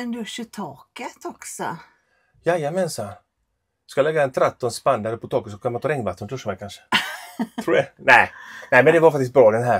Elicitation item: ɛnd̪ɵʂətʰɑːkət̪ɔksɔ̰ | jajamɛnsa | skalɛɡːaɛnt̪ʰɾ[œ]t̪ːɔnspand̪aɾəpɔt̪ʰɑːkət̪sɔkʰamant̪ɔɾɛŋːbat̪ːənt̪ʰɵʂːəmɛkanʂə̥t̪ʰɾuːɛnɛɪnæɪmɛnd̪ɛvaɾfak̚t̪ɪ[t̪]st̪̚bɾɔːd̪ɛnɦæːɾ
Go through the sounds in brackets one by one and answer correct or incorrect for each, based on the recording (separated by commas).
incorrect, incorrect